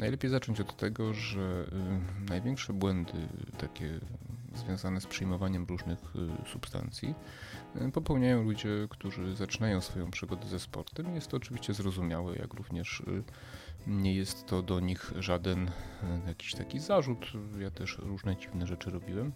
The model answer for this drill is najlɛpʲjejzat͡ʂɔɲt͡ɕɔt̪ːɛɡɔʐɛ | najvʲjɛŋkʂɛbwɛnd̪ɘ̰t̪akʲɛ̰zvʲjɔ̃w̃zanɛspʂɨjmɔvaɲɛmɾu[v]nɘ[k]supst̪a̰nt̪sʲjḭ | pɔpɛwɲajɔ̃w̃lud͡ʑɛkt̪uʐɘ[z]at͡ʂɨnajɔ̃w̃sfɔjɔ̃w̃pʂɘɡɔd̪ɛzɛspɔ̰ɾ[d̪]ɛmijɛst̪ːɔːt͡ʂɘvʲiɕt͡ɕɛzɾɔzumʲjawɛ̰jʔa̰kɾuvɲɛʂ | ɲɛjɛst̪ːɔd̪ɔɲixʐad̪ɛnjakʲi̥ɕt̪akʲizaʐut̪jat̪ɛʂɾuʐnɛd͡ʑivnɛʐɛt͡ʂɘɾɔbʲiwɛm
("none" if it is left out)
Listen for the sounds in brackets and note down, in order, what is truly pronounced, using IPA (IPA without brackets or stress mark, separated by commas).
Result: ʐ, x, z, t̪